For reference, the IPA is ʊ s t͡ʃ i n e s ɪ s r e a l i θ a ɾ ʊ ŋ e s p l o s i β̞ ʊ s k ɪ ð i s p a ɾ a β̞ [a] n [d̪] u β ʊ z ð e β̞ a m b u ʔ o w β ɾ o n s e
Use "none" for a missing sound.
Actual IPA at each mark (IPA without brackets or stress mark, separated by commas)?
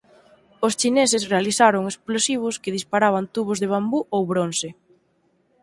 a, t̪